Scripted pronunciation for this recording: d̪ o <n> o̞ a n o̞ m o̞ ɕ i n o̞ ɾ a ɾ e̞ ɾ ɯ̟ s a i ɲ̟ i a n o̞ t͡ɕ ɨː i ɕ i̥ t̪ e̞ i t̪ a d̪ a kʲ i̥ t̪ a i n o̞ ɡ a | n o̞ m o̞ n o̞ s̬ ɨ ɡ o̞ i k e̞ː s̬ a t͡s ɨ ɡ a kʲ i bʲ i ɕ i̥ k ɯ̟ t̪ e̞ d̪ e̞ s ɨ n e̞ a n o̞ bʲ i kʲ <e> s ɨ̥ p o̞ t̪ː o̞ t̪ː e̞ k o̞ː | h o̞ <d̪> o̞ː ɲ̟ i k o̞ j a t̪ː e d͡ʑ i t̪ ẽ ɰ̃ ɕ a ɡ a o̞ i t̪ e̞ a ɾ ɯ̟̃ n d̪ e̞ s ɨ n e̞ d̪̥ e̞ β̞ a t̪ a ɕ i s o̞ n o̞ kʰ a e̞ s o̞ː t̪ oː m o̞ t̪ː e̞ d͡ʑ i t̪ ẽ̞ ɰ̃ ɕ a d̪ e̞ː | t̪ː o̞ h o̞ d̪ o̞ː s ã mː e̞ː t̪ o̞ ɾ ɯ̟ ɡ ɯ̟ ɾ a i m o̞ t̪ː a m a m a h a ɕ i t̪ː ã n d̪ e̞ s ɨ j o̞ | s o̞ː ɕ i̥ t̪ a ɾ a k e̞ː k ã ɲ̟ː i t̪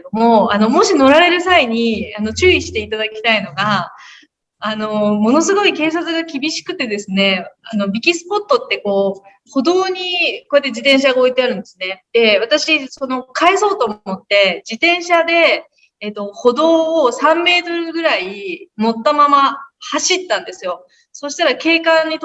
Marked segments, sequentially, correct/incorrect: incorrect: m, incorrect: i, correct

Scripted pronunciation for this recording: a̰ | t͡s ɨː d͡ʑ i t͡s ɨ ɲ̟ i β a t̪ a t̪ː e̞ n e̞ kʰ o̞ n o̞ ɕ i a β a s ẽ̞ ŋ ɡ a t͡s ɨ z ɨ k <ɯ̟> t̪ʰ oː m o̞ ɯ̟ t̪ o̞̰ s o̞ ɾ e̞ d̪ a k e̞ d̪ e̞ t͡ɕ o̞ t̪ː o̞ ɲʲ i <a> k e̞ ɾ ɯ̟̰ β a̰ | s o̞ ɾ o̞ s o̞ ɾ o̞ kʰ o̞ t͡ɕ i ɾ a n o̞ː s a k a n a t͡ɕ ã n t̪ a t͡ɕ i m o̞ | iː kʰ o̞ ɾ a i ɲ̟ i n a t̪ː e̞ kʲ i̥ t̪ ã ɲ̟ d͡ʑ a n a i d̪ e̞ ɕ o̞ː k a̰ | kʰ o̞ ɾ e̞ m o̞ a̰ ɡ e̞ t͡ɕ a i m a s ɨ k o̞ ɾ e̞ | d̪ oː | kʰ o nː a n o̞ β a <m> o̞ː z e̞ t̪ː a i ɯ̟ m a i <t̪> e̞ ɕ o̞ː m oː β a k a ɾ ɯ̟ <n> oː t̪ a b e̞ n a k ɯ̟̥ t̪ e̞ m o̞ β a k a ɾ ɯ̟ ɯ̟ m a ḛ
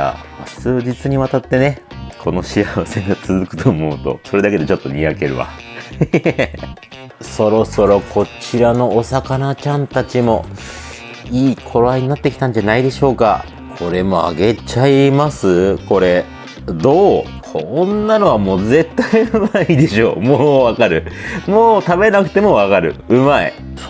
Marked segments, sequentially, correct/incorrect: correct, correct, correct, incorrect: d̪, incorrect: m

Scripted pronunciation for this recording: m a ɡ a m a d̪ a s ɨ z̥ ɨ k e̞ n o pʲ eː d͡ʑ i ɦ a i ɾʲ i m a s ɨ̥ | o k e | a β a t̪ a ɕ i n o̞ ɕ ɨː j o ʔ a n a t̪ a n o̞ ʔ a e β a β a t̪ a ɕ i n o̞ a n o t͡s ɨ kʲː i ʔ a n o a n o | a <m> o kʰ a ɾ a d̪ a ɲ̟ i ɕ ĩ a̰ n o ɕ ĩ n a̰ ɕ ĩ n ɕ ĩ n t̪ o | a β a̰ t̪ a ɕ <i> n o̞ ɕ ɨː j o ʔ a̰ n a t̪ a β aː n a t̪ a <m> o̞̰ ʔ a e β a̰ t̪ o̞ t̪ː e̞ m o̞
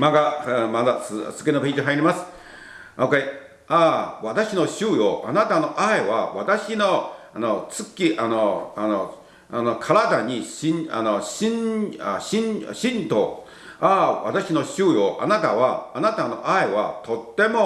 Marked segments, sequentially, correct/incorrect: incorrect: n, correct, incorrect: n

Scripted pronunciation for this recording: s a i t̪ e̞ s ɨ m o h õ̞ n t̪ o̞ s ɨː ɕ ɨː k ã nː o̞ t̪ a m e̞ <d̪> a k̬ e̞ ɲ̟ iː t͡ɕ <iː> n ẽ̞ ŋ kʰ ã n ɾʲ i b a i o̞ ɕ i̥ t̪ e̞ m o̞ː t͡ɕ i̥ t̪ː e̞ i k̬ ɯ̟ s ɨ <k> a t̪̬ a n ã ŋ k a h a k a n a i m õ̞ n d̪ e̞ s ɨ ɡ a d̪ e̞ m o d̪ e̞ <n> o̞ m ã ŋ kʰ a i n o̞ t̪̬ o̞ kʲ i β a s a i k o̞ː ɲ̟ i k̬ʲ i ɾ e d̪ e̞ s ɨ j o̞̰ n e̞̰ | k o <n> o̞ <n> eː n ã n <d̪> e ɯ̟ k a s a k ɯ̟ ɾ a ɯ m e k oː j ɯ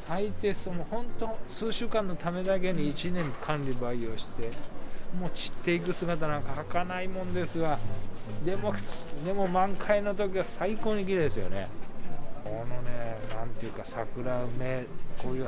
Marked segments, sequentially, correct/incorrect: correct, incorrect: i, incorrect: ɡ, incorrect: m, correct, correct, incorrect: t̪

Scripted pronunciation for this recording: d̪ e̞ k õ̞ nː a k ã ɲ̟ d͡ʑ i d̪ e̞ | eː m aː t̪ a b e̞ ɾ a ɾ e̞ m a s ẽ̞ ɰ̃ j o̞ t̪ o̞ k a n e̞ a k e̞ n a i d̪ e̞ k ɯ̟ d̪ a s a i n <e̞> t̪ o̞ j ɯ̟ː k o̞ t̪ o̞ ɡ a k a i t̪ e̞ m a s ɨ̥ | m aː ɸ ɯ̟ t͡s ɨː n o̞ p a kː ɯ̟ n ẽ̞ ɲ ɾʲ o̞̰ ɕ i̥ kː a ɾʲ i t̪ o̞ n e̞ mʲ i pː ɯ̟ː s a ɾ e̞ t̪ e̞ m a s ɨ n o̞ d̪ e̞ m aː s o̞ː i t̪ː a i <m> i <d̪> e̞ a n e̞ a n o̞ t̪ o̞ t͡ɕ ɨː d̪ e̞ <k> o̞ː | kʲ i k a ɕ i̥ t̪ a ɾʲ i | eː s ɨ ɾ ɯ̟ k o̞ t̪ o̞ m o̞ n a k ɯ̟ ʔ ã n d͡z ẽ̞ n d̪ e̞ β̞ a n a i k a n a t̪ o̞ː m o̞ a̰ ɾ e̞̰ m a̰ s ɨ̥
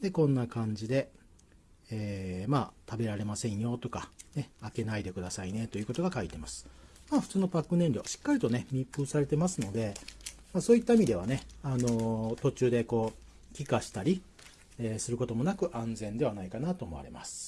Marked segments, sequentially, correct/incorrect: correct, correct, correct, correct

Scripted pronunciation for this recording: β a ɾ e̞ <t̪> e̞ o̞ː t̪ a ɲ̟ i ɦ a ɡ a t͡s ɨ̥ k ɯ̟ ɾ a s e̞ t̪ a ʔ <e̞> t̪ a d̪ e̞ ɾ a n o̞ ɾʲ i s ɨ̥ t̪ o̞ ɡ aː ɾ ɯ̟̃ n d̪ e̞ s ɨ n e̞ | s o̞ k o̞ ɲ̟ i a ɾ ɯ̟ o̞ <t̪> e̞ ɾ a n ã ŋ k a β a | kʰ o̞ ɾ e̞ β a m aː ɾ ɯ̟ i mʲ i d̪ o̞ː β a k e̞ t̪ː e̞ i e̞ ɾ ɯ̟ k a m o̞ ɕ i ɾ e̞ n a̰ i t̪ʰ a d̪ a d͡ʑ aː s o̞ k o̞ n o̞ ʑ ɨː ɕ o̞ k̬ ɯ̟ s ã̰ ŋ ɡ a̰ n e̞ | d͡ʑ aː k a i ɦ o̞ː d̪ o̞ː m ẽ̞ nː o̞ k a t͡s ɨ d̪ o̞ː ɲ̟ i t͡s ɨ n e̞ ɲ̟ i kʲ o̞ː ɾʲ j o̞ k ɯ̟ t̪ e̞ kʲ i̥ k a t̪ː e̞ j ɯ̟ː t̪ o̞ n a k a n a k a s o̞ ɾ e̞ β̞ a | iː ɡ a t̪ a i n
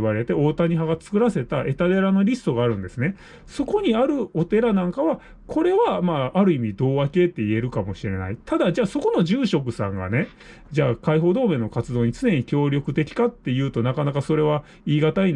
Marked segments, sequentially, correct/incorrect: correct, correct, correct

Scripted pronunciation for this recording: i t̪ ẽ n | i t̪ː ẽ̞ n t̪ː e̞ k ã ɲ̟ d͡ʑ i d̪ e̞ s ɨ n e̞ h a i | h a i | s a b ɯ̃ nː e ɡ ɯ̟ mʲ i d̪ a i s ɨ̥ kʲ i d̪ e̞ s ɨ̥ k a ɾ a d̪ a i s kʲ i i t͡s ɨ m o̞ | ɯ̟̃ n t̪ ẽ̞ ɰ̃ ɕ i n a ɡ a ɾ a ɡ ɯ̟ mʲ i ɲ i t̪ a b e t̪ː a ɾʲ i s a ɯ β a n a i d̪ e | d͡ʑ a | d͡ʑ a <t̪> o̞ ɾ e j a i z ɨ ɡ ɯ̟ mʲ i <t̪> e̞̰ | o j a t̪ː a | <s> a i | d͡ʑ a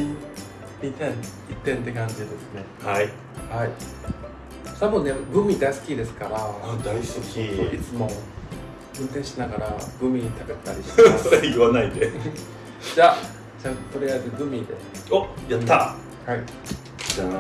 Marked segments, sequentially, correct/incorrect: correct, incorrect: d̪, incorrect: h

